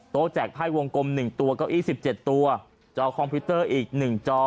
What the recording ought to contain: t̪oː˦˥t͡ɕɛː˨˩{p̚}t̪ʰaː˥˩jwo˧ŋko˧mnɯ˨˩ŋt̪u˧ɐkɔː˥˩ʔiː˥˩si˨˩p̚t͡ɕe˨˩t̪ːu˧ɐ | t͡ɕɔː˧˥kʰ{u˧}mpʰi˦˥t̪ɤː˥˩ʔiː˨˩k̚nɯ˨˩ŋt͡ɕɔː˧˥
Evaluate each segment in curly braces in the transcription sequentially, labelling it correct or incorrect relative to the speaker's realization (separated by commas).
incorrect, incorrect